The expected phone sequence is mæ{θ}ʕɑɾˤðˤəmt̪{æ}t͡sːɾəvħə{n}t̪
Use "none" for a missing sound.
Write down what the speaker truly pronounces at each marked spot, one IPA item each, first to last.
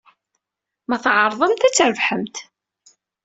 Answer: θ, æ, m

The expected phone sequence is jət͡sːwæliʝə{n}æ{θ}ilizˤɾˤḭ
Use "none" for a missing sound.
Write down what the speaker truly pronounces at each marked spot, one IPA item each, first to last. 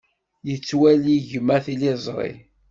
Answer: m, θ

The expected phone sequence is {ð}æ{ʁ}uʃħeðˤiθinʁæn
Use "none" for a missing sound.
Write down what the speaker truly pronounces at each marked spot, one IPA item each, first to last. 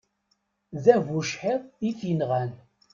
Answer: ð, v

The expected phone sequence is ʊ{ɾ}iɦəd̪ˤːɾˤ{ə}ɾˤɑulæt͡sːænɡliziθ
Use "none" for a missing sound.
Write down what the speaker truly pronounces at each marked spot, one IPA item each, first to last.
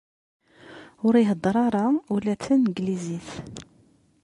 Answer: ɾ, ɑ

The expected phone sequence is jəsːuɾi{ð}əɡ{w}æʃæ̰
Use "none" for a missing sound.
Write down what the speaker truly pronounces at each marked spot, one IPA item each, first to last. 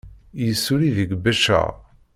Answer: ð, b

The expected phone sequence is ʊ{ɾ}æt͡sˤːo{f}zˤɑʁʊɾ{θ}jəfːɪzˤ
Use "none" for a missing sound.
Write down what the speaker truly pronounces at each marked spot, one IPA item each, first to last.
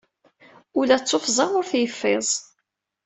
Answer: l, f, θ

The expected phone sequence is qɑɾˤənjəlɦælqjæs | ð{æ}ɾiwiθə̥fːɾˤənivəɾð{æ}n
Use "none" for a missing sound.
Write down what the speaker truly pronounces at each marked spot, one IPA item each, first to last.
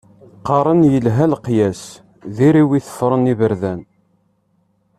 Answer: i, æ

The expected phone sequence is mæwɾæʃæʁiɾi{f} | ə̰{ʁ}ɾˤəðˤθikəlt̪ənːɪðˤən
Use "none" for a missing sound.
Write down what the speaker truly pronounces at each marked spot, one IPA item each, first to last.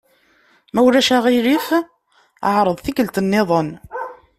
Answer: f, ʕ

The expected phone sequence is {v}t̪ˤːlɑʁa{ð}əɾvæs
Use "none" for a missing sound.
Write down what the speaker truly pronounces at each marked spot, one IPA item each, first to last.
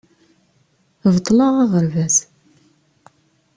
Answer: v, ʁ

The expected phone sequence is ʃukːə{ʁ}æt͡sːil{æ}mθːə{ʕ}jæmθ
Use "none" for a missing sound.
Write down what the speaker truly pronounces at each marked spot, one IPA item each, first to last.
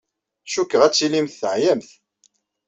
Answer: ʁ, i, ʕ

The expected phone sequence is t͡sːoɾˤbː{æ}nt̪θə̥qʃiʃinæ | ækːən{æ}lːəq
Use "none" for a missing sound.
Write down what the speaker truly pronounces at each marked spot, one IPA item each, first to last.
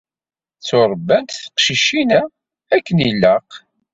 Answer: æ, i

